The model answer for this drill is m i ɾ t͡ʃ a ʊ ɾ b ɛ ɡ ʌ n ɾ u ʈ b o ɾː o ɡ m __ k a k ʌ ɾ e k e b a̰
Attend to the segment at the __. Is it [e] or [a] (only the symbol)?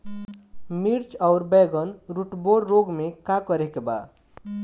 e